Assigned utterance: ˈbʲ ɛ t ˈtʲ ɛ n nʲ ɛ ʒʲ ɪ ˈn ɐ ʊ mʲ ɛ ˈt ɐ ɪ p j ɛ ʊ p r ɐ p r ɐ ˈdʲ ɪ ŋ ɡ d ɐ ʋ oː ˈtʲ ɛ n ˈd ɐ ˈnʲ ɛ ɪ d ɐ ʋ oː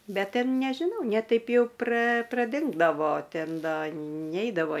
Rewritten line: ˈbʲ ɛ t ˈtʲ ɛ n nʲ ɛ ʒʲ ɪ ˈn ɐ ʊ nʲ ɛ ˈt ɐ ɪ p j ɛ ʊ p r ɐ p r ɐ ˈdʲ ɪ ŋ ɡ d ɐ ʋ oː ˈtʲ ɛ n ˈd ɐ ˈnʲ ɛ ɪ d ɐ ʋ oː